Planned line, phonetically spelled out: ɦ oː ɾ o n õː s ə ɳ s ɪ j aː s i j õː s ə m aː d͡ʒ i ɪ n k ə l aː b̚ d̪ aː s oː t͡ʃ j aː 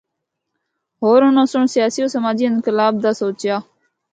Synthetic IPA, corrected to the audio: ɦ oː ɾ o n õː s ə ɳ s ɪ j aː s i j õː s ə m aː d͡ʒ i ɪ n k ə l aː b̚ d̪ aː s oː t͡ʃ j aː

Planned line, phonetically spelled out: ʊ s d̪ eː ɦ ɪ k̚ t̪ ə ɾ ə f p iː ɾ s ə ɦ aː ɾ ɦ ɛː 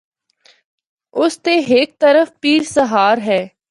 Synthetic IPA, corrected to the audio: ʊ s t̪ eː ɦ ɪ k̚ t̪ ə ɾ ə f p iː ɾ s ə ɦ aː ɾ ɦ ɛː

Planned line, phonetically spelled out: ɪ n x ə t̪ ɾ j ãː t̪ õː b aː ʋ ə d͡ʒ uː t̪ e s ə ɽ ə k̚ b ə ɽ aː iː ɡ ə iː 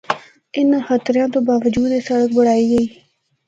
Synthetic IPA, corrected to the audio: ɪ n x ə t̪ ɾ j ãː t̪ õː b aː ʋ ə d͡ʒ uː d̪ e s ə ɽ ə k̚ b ə ɽ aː iː ɡ ə iː

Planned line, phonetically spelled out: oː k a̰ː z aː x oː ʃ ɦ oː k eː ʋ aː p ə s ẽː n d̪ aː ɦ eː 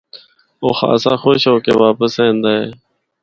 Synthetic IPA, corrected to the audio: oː x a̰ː s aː x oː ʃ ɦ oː k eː ʋ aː p ə s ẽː n d̪ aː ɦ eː

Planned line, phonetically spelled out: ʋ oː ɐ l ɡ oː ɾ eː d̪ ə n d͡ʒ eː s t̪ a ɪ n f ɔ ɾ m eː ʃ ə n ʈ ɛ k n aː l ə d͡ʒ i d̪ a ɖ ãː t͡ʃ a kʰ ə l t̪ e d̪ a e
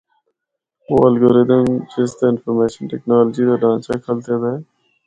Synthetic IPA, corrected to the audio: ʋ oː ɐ l ɡ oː ɾ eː d̪ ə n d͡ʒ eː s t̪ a ɪ n f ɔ ɾ m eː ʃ ə n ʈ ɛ k n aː l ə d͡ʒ i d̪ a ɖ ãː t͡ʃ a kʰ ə l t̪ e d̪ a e

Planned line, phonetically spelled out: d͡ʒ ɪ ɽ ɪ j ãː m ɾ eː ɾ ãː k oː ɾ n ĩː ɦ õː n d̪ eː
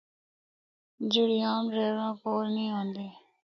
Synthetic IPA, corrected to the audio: d͡ʒ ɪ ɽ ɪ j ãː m ɾ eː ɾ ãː k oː ɾ n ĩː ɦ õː n d̪ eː

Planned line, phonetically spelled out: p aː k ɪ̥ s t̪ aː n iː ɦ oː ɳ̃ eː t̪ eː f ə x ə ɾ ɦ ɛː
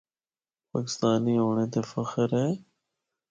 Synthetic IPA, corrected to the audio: p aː k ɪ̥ s t̪ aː n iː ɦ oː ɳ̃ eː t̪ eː f ə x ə ɾ ɦ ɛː

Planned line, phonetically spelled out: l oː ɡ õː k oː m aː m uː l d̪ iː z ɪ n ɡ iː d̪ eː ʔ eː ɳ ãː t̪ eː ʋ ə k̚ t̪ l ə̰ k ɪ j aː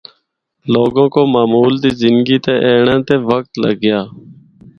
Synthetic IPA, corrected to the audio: l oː ɡ õː k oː m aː m uː l d̪ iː z ɪ n ɡ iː t̪ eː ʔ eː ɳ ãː t̪ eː ʋ ə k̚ t̪ l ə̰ ɡ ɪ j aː

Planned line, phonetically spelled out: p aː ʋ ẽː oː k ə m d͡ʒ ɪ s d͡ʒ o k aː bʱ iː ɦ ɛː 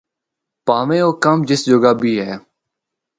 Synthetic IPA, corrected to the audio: p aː ʋ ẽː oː k ə m d͡ʒ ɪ s d͡ʒ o ɡ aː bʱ iː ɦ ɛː

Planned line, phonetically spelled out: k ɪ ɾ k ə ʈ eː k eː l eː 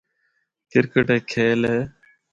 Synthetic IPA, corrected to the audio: k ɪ ɾ k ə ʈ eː kʰ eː l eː

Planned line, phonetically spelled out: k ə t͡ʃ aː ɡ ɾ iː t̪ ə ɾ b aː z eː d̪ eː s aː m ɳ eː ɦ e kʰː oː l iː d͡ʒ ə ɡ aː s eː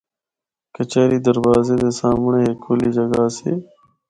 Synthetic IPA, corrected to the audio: k ə t͡ʃ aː ɾ iː d̪ ə ɾ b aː z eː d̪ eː s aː m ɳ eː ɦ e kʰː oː l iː d͡ʒ ə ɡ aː s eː

